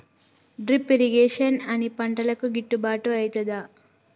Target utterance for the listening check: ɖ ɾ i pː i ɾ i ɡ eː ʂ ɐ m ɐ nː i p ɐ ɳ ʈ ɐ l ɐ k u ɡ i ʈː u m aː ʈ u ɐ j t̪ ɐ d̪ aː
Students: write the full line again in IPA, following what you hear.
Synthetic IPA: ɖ ɾ i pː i ɾ i ɡ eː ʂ ɐ n ɐ n i p ɐ ɳ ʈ ɐ l ɐ k u ɡ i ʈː u b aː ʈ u ɐ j t̪ ɐ d̪ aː